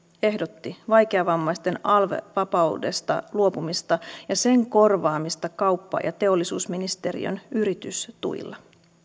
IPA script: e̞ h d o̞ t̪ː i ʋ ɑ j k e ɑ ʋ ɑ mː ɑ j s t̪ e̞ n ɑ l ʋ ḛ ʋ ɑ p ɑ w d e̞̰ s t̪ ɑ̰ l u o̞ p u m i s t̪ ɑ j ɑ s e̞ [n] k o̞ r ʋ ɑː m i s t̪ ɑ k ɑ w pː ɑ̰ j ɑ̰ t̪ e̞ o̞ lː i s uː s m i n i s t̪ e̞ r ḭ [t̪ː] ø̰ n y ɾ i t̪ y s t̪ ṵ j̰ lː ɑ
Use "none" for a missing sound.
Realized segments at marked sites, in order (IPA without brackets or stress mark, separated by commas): ŋ, none